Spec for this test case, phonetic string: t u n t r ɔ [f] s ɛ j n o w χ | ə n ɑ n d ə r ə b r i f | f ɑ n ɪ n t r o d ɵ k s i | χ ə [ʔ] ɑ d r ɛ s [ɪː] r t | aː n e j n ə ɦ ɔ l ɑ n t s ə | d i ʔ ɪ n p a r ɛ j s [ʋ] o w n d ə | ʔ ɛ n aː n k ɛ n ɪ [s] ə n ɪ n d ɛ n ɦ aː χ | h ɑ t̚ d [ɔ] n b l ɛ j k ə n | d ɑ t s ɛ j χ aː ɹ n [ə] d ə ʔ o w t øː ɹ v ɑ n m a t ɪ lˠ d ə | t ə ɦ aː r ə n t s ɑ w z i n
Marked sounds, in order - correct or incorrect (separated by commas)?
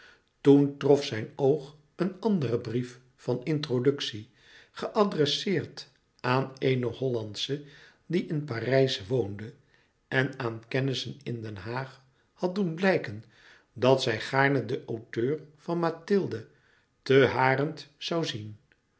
correct, correct, correct, correct, correct, incorrect, correct